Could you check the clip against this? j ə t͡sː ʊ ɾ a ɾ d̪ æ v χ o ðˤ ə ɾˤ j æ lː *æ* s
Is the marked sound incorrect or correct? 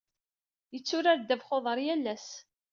correct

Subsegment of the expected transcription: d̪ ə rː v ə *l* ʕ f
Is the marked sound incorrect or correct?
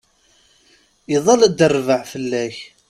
incorrect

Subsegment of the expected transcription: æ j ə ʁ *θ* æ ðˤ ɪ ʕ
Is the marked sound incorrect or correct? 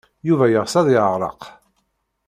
incorrect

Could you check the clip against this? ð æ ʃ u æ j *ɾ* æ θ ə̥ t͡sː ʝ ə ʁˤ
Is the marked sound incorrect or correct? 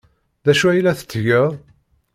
incorrect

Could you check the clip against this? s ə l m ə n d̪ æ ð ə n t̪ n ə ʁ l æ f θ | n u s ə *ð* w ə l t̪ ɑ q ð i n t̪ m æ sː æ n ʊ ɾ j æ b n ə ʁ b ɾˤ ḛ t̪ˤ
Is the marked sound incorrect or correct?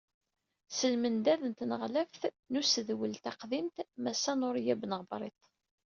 correct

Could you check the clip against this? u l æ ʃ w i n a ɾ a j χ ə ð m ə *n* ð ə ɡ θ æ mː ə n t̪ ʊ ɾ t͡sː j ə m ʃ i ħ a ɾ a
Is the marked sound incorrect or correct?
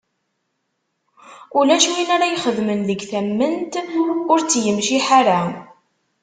correct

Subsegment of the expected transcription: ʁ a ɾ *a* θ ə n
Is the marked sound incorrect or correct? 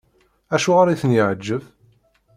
incorrect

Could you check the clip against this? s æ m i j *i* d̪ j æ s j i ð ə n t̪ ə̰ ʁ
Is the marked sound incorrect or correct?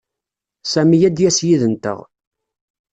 incorrect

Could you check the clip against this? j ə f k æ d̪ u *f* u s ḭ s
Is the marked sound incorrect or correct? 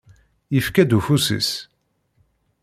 correct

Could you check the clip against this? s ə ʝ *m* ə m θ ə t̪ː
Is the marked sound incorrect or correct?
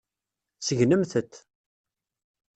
incorrect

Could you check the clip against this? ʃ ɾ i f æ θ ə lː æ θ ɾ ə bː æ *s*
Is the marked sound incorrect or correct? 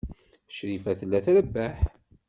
incorrect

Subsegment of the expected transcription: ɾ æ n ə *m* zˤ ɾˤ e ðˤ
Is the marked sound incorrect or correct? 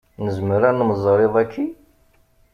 correct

